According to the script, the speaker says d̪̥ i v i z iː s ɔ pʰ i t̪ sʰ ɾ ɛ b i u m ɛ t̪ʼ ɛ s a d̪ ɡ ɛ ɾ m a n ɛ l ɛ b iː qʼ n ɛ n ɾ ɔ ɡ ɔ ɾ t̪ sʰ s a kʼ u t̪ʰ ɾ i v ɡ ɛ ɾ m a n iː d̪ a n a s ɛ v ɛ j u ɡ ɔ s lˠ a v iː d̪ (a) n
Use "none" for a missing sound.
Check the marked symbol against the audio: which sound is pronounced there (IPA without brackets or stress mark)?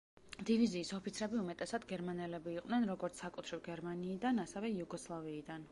a